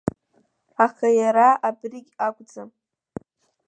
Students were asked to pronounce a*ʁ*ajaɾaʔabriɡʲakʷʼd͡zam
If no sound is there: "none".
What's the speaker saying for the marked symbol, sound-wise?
χ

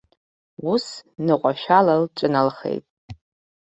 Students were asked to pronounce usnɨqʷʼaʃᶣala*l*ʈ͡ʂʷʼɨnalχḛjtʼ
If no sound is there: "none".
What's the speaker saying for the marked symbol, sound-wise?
l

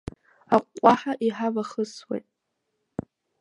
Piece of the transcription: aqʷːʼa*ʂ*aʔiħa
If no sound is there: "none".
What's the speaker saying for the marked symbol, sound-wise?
ħ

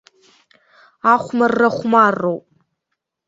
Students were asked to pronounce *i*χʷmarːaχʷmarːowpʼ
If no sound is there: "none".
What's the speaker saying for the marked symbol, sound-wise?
a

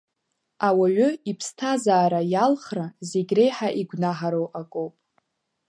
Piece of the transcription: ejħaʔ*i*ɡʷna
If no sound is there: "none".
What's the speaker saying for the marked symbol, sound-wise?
i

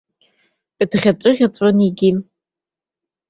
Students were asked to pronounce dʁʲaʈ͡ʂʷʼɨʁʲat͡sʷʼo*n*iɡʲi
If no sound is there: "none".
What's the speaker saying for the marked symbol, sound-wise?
n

